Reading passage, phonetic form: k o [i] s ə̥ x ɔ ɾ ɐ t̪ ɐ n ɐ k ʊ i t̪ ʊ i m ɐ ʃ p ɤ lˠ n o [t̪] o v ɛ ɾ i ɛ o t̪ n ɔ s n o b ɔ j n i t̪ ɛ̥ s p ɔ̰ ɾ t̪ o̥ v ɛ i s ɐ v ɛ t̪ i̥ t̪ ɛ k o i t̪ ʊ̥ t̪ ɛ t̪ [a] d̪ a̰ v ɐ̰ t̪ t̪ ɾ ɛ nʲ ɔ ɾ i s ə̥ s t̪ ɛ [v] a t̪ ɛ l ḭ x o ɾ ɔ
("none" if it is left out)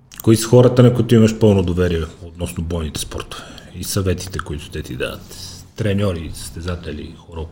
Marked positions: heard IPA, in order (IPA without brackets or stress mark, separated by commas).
i, d̪, i, z